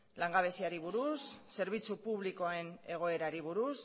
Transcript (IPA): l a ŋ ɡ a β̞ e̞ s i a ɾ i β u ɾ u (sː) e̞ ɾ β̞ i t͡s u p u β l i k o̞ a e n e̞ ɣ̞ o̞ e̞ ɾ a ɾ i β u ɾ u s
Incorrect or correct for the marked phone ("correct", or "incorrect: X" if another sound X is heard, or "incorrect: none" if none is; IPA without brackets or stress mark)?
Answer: correct